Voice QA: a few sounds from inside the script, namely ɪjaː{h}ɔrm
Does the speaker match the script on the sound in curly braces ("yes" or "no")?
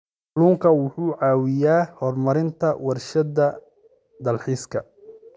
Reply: yes